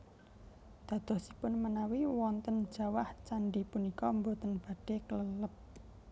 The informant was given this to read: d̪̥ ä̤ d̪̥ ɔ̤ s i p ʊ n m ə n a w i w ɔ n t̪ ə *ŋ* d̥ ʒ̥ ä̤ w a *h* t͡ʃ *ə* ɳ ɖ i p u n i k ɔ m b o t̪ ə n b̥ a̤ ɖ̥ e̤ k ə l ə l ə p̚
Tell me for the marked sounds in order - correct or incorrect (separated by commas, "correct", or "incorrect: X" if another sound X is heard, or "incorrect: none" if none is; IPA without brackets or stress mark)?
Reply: incorrect: n, correct, incorrect: a